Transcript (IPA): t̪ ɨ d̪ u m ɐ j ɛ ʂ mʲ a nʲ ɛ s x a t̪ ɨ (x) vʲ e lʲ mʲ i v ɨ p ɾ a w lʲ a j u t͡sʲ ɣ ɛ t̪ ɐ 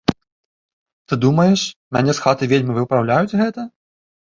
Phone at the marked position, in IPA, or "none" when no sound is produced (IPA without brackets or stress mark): none